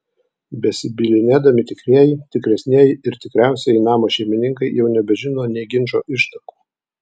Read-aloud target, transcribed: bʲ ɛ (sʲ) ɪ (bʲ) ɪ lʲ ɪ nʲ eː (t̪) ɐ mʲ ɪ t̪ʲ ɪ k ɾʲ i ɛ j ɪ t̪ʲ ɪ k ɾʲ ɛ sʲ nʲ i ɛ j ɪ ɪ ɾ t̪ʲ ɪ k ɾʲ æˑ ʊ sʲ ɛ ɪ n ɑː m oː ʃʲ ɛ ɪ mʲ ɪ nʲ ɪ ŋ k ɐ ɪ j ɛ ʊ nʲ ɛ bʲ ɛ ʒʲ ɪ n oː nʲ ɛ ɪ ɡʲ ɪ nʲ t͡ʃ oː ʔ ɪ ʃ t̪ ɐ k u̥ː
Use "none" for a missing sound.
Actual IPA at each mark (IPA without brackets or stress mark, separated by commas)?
sʲ, bʲ, d̪